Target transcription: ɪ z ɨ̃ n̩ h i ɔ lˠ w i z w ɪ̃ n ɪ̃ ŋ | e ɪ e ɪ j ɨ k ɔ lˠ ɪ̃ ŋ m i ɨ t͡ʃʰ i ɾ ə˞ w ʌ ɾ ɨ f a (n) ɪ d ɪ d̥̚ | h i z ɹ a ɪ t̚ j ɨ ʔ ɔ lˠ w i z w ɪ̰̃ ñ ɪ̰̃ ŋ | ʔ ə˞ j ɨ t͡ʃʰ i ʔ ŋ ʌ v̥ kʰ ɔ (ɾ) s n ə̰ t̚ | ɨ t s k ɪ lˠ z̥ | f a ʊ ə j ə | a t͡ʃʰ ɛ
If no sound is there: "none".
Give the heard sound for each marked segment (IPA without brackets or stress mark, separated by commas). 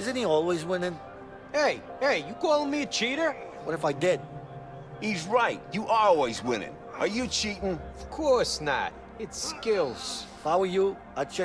none, ɹ